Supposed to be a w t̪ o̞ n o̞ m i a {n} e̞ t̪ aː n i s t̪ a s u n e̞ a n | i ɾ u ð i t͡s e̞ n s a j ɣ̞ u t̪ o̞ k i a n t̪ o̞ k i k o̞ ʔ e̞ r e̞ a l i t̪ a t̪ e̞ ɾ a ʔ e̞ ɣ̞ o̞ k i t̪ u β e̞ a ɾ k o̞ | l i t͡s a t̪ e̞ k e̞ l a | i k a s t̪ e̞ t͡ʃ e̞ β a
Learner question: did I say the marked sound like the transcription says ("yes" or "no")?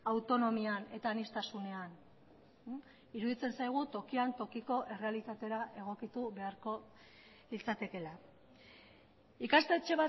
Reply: yes